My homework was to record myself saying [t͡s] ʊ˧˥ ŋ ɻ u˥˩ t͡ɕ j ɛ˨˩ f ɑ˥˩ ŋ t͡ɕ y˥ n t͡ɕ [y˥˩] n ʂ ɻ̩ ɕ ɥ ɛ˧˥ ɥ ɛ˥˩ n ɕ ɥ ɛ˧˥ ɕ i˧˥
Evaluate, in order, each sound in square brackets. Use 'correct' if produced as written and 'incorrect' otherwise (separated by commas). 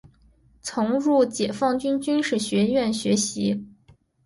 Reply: incorrect, incorrect